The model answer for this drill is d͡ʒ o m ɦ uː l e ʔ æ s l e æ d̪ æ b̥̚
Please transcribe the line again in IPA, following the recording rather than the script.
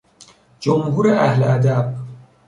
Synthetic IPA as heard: d͡ʒ o m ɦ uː ɾ e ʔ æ h l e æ d̪ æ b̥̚